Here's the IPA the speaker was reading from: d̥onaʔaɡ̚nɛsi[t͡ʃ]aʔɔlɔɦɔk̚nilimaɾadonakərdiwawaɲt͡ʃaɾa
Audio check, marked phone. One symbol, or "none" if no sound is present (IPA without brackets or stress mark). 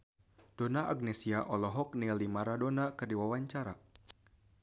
none